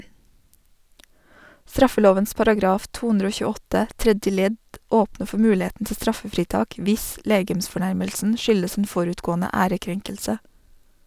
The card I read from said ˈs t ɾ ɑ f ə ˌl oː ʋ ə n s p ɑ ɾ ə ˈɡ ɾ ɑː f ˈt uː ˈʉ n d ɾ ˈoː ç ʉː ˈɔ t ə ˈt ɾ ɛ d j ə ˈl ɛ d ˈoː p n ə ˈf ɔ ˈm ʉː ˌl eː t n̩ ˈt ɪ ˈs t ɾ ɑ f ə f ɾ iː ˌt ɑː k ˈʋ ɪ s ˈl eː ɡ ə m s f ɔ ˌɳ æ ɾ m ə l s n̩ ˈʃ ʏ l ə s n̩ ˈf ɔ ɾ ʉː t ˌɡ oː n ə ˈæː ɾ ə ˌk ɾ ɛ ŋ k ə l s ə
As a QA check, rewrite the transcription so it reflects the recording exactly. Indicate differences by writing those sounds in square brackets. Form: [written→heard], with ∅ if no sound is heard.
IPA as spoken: ˈs t ɾ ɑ f ə ˌl oː ʋ ə n s p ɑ ɾ [ə→ɑ] ˈɡ ɾ ɑː f ˈt uː ˈʉ n d ɾ ˈoː ç ʉː ˈɔ t ə ˈt ɾ ɛ d j ə ˈl ɛ d ˈoː p n ə ˈf ɔ ˈm ʉː ˌl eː t n̩ ˈt ɪ ˈs t ɾ ɑ f ə f ɾ iː ˌt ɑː k ˈʋ ɪ s ˈl eː ɡ ə m s f ɔ ˌɳ æ ɾ m ə l s n̩ ˈʃ ʏ l ə s n̩ ˈf ɔ ɾ ʉː t ˌɡ oː n ə ˈæː ɾ ə ˌk ɾ ɛ ŋ k ə l s ə